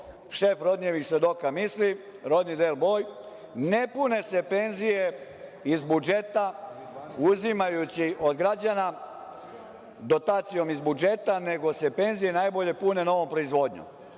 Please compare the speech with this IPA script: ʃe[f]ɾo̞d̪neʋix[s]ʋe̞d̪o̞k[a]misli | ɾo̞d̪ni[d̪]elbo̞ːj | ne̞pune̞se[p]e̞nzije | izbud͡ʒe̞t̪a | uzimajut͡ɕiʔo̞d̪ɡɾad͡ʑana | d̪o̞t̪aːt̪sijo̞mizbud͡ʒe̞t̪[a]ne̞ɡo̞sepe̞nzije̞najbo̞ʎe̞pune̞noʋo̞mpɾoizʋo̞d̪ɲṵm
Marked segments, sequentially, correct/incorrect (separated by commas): correct, correct, correct, correct, correct, correct